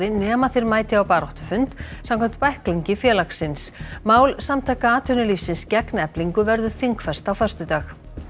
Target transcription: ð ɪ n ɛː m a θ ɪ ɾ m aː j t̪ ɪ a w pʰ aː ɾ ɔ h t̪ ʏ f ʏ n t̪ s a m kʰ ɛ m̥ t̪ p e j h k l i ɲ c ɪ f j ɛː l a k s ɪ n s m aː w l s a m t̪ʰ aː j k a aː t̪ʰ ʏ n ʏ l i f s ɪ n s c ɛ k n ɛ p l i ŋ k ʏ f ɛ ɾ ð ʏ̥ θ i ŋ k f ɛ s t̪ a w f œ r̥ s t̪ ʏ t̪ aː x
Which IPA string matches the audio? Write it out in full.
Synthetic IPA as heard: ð ɪ n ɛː m a θ ɪ ɾ m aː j t̪ ɪ a w p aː ɾ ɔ h t̪ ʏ f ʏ n t̪ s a m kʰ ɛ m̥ t̪ p a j h k l i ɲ c ɪ f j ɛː l a k s ɪ n s m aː w l s a m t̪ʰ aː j k a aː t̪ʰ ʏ n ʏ l i f s ɪ n s c ɛ k n ɛ p l i ŋ k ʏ v ɛ ɾ ð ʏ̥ θ i ŋ k f ɛ s t̪ a w f œ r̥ s t̪ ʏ t̪ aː x